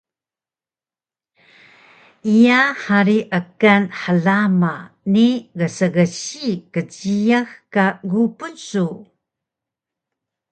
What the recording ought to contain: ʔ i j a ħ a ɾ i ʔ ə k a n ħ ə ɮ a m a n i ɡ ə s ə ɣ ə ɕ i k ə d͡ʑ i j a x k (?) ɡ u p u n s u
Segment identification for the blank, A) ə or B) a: B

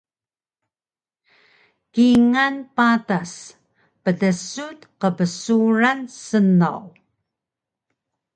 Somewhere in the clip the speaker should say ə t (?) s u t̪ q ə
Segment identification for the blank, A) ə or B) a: A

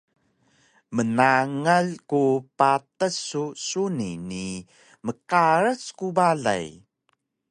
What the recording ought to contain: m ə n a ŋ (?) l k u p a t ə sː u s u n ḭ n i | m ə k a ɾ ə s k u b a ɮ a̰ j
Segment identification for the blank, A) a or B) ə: A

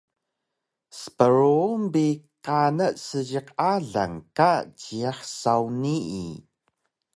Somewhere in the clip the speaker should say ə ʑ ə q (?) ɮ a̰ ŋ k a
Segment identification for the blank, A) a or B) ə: A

